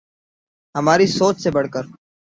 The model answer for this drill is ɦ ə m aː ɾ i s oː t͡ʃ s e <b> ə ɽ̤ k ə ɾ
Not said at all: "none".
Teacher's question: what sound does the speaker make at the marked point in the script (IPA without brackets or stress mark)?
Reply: b